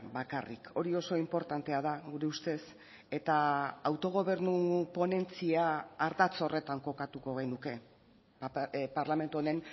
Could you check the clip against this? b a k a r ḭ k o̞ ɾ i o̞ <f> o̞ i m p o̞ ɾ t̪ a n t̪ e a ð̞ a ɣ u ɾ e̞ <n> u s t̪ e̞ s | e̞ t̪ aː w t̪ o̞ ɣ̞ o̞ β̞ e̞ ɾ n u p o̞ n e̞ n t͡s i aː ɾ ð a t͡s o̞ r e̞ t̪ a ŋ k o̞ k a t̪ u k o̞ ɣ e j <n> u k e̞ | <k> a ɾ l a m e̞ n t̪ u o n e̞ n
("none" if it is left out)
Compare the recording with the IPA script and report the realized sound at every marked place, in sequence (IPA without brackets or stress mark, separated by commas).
s, none, n, p